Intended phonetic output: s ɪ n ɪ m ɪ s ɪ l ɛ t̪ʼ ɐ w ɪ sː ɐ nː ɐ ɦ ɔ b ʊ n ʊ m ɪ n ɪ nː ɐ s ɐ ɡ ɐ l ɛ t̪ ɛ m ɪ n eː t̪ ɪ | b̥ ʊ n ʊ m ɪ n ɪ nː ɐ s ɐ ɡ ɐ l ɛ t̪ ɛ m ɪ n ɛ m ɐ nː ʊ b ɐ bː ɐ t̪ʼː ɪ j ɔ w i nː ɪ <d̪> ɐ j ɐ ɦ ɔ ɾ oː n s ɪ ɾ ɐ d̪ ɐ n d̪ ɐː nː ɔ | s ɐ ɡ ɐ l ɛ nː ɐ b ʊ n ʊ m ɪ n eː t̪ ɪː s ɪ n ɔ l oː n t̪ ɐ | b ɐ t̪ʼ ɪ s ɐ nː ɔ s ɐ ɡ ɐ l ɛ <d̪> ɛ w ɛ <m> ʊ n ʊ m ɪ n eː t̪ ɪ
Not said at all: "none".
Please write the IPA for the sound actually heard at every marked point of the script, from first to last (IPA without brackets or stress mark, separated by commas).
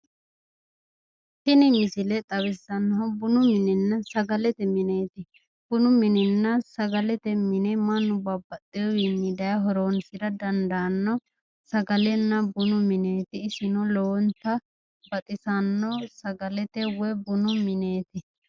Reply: d̪, t̪, b